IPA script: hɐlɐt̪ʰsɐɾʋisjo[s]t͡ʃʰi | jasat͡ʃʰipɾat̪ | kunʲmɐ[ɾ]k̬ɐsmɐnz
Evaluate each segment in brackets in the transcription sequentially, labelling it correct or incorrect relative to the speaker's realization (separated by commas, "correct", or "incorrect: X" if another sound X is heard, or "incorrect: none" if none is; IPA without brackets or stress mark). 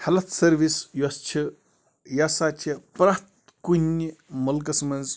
correct, incorrect: l